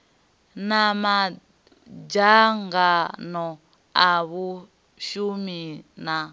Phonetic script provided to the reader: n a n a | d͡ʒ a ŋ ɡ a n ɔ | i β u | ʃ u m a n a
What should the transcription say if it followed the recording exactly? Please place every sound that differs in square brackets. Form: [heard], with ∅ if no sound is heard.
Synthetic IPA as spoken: n a [m] a | d͡ʒ a ŋ ɡ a n ɔ | [a] β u | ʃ u m [i] n a